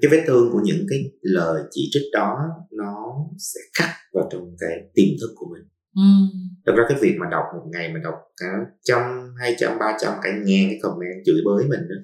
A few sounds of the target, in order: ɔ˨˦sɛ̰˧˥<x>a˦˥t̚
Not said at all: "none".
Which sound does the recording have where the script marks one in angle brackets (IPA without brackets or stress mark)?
x